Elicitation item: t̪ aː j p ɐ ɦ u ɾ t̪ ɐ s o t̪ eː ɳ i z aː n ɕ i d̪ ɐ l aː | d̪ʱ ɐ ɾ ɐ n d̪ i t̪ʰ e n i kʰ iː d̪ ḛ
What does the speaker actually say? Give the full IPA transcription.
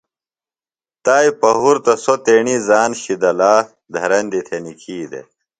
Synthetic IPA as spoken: t̪ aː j p ɐ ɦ u ɾ t̪ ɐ s o t̪ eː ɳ i z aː n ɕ i d̪ ɐ l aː | d̪ʱ ɐ ɾ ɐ n d̪ i t̪ʰ e n i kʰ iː d̪ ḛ